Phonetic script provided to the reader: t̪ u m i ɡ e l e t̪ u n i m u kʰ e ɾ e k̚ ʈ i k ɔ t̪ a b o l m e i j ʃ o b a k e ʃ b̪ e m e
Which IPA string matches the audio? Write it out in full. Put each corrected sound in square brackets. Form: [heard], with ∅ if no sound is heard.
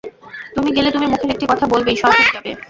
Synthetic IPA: t̪ u m i ɡ e l e t̪ u [m] i m u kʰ e ɾ e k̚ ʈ i k ɔ [t̪ʰ] a b o l [b] e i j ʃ [ɔ] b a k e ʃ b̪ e [b] e